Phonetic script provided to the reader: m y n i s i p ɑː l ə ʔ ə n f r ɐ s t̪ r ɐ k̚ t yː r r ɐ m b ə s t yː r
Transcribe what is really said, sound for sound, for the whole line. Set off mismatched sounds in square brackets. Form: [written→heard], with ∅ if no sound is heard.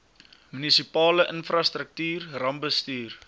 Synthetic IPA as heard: m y n i s i p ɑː l ə ʔ ə n f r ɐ s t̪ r [ɐ→ə] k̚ t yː r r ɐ m b ə s t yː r